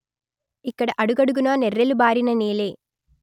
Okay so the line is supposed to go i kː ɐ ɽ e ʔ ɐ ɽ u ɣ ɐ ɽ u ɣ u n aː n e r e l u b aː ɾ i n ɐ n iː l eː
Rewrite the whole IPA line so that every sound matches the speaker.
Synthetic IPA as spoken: i kː ɐ ɽ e ʔ ɐ ɽ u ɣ ɐ ɽ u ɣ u n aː n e r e l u b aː ɾ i n ɐ n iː l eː